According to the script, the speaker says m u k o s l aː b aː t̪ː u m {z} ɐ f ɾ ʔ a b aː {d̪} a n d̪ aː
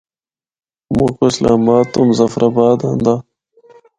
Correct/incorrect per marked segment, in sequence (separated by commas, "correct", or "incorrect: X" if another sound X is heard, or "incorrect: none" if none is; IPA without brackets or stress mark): correct, correct